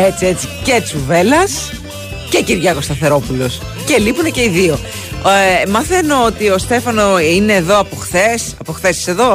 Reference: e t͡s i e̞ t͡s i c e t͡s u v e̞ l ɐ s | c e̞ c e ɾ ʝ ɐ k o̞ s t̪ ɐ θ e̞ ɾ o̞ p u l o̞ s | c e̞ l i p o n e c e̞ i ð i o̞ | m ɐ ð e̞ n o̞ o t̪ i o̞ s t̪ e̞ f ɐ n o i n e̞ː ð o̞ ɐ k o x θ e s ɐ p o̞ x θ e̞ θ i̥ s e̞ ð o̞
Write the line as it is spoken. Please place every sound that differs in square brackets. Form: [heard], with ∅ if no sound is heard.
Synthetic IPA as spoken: e t͡s i e̞ t͡s i c e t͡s u v e̞ l ɐ s | c e̞ c [i] ɾ ʝ ɐ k o̞ s t̪ ɐ θ e̞ ɾ o̞ p u l o̞ s | c e̞ l i p [u] n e c e̞ i ð i o̞ | m ɐ [θ] e̞ n o̞ o t̪ i o̞ s t̪ e̞ f ɐ n o i n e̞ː ð o̞ ɐ [p] o x θ e s ɐ p o̞ x θ e̞ [s] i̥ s e̞ ð o̞